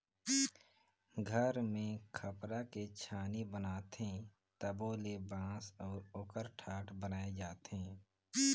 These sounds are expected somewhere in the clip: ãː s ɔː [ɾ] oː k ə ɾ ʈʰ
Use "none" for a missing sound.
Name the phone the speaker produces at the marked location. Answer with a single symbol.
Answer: ɾ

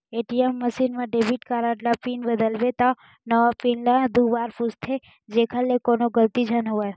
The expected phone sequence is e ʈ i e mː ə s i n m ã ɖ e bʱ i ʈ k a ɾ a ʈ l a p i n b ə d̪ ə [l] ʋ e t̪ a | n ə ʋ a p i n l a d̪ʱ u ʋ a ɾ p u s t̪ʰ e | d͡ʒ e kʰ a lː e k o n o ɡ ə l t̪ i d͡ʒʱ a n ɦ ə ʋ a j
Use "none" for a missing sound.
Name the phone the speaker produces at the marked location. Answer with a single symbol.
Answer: l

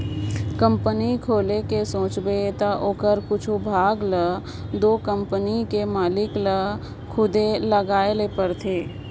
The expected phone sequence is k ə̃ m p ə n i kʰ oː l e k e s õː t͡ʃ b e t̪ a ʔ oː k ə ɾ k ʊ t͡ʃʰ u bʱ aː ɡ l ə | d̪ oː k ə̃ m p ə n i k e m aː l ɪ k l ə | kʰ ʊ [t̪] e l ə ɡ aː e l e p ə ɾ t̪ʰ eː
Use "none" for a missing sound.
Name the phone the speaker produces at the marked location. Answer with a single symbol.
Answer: d̪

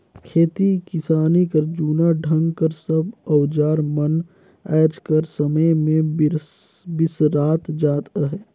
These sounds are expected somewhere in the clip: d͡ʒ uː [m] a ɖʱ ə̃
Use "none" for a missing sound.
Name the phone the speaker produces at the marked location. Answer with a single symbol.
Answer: n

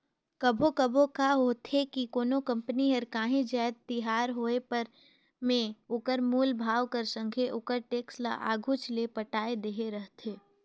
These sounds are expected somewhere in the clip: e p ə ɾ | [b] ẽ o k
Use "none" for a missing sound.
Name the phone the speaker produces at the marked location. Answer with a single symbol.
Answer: m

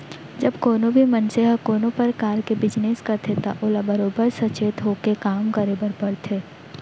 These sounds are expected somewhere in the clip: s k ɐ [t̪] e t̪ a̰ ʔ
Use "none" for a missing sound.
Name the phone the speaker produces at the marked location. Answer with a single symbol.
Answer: t̪ʰ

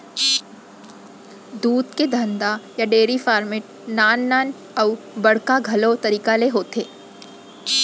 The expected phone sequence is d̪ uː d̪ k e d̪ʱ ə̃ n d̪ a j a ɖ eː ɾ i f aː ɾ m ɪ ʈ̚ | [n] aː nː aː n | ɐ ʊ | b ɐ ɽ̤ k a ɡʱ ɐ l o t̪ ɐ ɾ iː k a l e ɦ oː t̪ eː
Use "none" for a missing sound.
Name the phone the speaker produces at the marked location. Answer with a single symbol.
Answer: n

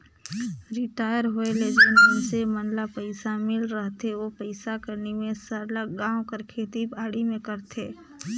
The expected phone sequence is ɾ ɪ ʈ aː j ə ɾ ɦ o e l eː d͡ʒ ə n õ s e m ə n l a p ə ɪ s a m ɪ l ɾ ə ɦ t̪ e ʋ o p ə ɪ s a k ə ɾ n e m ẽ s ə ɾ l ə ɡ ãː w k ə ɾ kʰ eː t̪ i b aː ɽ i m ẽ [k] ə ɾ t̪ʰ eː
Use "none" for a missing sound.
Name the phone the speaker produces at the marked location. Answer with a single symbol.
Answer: k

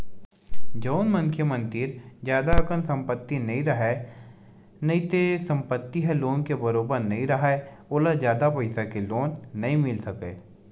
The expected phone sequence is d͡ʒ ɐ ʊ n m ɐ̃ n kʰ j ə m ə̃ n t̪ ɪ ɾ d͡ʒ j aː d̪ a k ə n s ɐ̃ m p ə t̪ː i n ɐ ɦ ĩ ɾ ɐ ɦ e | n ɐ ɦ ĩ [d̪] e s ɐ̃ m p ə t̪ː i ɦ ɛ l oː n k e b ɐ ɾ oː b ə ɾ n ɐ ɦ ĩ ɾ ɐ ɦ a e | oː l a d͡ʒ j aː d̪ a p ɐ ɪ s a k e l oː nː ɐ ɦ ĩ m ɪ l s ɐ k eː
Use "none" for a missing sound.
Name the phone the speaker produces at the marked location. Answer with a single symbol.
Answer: t̪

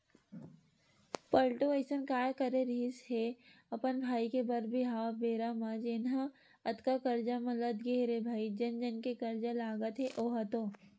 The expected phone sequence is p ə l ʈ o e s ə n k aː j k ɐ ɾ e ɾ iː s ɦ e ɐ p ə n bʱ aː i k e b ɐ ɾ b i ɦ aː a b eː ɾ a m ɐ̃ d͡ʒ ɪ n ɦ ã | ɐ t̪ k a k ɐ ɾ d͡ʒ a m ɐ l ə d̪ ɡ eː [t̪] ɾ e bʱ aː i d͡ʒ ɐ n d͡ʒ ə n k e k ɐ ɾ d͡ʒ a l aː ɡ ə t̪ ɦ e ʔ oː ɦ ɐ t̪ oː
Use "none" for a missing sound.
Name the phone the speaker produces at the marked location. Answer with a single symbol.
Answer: none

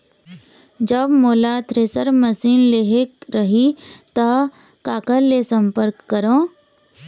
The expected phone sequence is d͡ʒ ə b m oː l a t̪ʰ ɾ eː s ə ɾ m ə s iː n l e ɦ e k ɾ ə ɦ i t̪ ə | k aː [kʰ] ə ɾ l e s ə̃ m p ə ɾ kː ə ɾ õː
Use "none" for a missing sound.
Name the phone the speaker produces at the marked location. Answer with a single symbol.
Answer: k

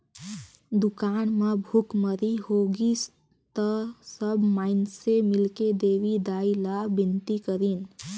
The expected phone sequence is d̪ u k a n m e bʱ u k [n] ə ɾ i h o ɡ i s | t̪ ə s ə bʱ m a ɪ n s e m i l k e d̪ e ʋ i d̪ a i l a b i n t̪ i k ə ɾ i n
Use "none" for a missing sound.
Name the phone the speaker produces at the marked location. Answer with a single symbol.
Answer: m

